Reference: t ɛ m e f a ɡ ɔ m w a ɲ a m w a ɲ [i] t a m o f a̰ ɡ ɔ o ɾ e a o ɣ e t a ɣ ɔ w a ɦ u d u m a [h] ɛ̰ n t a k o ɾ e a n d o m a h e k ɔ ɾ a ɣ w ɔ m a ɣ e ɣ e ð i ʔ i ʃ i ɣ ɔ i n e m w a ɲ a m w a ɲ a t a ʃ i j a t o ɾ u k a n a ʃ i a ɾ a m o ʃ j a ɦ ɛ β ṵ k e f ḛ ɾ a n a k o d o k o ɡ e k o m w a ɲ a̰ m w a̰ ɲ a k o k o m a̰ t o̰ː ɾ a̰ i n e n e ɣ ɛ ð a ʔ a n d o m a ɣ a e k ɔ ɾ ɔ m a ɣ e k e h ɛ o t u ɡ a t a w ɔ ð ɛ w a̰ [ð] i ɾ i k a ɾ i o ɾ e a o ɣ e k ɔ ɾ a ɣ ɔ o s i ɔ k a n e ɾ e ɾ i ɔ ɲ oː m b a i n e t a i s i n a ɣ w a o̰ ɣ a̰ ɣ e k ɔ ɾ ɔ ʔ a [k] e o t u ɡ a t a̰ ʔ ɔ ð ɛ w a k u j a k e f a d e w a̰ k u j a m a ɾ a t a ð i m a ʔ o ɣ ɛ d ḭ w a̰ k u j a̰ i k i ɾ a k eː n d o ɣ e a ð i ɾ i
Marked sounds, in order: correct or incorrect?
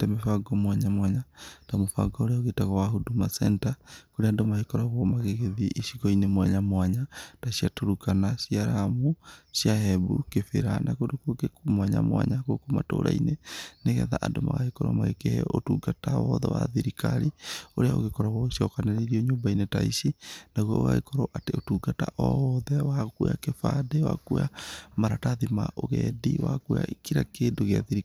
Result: incorrect: a, incorrect: s, correct, incorrect: t

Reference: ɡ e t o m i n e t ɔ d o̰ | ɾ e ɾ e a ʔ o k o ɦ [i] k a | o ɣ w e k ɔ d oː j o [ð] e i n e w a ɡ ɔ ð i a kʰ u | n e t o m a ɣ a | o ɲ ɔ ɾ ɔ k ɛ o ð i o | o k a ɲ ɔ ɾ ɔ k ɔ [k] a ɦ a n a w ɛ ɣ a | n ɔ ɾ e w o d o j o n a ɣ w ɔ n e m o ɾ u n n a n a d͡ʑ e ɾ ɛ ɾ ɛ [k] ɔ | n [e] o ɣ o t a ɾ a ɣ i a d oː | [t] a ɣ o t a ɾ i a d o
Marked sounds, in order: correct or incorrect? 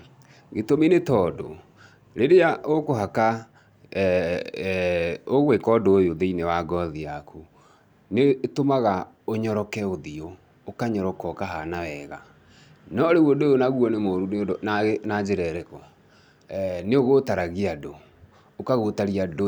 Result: incorrect: a, correct, correct, correct, correct, incorrect: k

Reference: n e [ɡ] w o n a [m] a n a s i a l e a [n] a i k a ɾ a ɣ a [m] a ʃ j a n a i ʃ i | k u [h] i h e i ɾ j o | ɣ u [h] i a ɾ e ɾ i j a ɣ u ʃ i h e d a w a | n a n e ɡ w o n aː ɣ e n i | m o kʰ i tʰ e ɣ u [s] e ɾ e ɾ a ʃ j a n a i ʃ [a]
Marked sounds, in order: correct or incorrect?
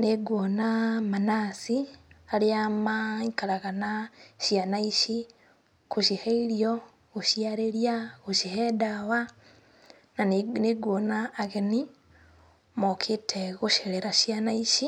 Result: correct, correct, incorrect: m, incorrect: n, incorrect: ʃ, incorrect: ʃ, incorrect: ʃ, incorrect: i

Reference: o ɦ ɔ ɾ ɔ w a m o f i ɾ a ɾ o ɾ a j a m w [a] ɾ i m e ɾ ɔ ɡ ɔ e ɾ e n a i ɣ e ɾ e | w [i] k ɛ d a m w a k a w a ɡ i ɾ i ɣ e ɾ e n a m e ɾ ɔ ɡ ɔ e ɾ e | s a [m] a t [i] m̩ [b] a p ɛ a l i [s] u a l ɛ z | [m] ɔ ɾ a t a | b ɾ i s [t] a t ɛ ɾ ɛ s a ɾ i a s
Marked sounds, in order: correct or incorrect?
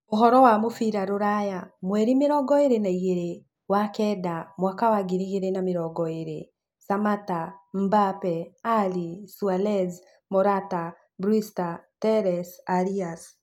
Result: incorrect: ɛ, incorrect: a, correct, incorrect: a, correct, correct, correct, correct

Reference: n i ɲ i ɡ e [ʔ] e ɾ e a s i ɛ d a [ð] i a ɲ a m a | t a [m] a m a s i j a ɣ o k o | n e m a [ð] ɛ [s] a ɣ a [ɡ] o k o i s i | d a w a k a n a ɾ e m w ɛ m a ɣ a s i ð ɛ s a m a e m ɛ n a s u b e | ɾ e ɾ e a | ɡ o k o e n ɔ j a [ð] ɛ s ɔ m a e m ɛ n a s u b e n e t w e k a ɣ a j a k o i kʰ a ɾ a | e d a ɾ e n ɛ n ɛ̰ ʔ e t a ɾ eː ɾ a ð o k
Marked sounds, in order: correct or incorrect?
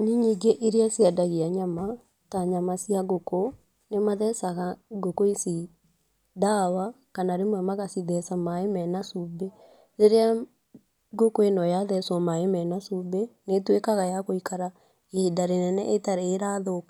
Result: correct, incorrect: ɣ, incorrect: ɲ, correct, correct, correct, correct

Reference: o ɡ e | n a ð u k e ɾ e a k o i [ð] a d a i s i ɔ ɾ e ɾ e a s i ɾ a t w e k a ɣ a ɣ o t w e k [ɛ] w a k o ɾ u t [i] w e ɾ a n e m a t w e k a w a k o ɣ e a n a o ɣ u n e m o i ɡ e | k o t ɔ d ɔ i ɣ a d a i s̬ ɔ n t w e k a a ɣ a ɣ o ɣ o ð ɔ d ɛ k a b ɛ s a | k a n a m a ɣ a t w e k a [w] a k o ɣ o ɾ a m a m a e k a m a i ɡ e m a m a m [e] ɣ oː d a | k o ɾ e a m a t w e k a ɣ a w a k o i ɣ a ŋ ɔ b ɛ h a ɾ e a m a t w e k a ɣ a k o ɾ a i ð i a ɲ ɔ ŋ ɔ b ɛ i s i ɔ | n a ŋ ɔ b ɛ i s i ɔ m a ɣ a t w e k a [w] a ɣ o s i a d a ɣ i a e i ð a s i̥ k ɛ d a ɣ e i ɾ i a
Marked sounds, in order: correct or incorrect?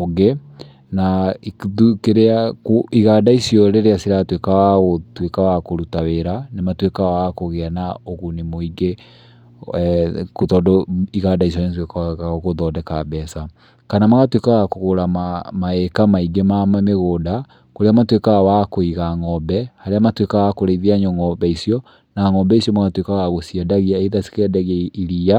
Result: incorrect: ɣ, incorrect: a, incorrect: a, incorrect: ɣ, correct, incorrect: ɣ

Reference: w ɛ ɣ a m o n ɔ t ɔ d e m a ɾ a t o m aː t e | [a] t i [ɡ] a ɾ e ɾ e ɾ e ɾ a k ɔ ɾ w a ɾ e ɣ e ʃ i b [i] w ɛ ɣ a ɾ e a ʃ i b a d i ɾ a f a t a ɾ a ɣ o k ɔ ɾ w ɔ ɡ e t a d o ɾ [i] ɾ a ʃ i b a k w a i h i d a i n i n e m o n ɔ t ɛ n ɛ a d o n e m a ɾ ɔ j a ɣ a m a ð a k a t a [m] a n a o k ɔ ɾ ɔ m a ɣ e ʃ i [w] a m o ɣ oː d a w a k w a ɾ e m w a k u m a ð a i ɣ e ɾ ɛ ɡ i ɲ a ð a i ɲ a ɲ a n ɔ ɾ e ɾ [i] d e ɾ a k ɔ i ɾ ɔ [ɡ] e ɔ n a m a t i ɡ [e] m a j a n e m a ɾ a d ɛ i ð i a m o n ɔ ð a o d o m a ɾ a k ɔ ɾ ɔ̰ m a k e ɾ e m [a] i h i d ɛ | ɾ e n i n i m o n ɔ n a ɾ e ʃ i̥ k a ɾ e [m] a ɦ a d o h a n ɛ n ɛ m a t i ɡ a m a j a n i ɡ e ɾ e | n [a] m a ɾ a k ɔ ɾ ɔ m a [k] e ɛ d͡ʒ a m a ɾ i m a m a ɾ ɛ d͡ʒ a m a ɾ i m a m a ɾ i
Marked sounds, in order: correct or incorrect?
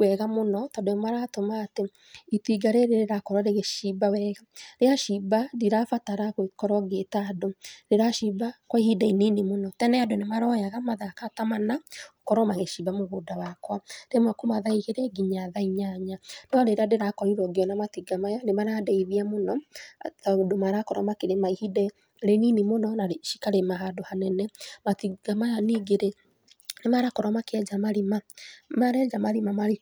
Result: incorrect: i, correct, incorrect: a, incorrect: e, correct, incorrect: b, incorrect: a, correct, incorrect: a, correct, correct, incorrect: e, correct

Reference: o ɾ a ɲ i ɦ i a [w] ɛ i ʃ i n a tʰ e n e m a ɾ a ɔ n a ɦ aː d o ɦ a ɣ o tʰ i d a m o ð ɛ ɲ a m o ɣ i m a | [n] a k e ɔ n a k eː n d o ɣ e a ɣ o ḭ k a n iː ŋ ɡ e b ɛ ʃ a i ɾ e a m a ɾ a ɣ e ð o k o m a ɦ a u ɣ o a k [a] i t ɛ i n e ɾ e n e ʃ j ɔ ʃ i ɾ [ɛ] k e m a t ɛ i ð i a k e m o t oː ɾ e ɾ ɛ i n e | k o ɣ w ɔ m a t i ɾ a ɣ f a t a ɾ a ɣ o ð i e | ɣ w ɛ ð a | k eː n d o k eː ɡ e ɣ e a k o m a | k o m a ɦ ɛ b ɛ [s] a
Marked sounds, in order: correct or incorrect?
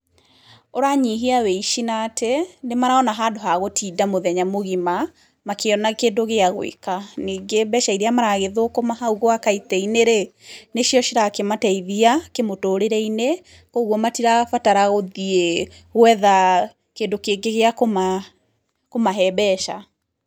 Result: correct, incorrect: m, correct, incorrect: a, incorrect: ʃ

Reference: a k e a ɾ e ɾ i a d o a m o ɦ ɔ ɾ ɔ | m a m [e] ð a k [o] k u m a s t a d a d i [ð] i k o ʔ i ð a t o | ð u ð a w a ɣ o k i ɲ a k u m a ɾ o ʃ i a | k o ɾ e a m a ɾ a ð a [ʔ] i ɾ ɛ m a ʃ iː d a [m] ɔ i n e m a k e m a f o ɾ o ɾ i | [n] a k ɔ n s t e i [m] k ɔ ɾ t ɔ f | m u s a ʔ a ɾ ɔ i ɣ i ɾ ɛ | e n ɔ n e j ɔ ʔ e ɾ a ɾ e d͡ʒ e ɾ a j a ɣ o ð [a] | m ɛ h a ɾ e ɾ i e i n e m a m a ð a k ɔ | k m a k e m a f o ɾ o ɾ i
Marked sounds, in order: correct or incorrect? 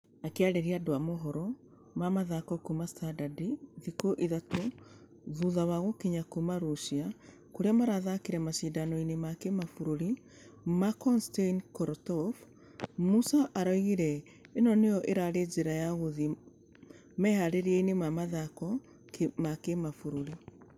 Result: incorrect: a, incorrect: ɔ, correct, incorrect: k, incorrect: n, incorrect: m, incorrect: n, incorrect: i

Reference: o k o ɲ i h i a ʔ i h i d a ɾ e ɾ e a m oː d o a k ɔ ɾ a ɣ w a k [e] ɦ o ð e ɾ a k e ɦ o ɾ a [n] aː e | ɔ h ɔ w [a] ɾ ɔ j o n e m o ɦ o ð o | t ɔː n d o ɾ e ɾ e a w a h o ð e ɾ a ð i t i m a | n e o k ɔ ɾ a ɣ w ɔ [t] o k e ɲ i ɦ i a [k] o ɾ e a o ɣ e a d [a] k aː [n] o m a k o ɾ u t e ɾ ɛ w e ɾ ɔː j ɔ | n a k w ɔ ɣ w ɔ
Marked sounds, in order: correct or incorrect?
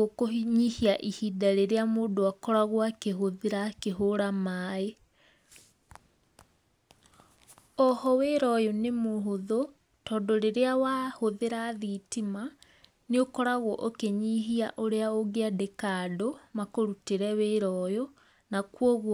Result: correct, incorrect: m, incorrect: e, incorrect: ʔ, incorrect: ʔ, incorrect: e, incorrect: d

